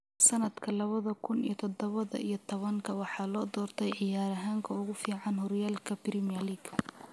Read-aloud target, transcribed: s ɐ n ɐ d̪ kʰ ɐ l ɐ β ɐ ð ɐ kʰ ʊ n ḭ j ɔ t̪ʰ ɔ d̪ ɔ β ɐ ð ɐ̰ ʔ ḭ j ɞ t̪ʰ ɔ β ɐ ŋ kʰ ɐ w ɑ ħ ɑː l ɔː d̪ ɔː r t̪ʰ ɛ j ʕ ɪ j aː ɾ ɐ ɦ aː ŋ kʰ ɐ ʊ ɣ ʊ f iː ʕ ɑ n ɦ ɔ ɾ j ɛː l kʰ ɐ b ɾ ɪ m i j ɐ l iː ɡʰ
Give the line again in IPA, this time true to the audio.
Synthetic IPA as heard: s ɐ n ɐ d̪ kʰ ɐ l ɐ β ɐ ð ɐ kʰ ʊ n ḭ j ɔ t̪ʰ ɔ d̪ ɔ β ɐ ð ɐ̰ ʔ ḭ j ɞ t̪ʰ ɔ β ɐ ŋ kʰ ɐ w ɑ ħ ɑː l ɔː d̪ ɔː r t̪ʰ ɛ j ʕ ɪ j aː ɾ ɐ ɦ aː ŋ kʰ ɐ ʊ ɣ ʊ f iː ʕ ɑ n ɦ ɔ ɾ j aː l kʰ ɐ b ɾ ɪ m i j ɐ l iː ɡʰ